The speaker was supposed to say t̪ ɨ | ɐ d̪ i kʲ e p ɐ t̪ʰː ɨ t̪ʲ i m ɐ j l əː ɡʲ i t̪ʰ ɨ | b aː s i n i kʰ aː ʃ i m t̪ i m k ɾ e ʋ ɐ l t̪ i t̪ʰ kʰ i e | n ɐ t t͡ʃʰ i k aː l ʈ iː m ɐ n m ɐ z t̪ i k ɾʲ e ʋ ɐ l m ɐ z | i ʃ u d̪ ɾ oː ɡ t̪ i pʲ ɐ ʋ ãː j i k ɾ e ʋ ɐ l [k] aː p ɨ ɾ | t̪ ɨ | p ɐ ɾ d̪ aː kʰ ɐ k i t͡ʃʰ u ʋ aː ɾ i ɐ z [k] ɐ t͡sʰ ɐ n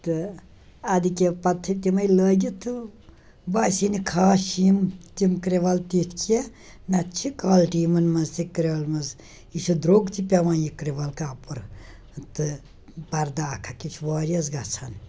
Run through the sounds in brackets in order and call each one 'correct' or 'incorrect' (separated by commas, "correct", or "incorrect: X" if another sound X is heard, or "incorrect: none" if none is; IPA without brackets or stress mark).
correct, incorrect: ɡ